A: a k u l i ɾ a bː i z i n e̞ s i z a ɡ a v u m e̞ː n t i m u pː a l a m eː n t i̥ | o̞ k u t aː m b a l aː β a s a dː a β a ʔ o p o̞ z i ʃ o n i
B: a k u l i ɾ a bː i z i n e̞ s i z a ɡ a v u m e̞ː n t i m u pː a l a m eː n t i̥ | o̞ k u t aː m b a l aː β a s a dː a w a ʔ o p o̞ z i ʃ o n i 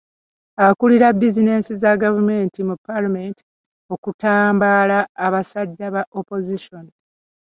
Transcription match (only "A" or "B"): A